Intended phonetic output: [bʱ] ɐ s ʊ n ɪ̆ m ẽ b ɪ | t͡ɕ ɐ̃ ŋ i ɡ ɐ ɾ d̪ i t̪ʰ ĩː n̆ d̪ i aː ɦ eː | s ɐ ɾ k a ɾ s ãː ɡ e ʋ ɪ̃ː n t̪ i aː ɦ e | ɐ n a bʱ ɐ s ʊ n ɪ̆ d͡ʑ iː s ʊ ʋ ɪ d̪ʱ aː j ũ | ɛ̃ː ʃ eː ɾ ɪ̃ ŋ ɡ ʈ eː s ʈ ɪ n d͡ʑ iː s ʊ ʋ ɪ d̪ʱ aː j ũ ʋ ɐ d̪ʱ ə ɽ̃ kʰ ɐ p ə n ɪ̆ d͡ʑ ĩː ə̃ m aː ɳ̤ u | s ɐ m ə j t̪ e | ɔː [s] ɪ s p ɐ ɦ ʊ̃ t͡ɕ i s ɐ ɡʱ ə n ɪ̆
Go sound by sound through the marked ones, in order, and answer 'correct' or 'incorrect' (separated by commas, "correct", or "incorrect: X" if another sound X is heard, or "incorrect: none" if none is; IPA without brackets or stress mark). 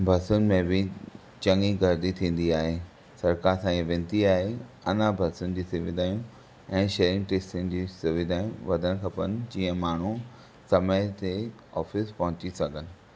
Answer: correct, incorrect: f